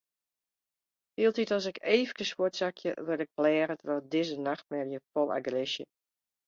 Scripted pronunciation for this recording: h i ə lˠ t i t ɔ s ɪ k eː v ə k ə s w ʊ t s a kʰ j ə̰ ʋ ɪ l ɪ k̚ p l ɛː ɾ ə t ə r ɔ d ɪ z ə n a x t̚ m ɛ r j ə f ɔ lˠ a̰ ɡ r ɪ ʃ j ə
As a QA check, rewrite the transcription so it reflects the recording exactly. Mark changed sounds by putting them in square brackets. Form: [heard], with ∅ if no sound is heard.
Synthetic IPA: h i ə lˠ t i t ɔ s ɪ k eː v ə k ə s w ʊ t s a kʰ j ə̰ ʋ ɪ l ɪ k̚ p l ɛː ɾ ə t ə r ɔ d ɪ z ə n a x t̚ m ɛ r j ə f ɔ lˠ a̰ ɡ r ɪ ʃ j ə